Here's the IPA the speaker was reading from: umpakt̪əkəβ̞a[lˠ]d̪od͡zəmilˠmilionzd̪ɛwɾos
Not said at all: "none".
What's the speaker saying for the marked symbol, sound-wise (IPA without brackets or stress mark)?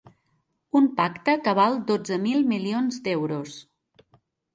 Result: lˠ